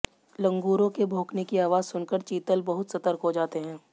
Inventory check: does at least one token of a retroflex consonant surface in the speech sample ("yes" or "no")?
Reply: no